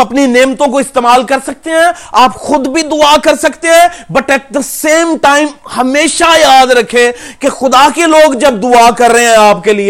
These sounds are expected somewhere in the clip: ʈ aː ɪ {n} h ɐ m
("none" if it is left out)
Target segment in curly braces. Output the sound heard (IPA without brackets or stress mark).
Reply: m